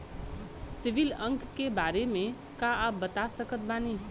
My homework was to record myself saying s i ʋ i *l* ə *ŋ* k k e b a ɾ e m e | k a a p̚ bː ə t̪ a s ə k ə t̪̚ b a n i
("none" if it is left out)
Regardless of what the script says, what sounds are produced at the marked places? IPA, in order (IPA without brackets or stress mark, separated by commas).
l, ŋ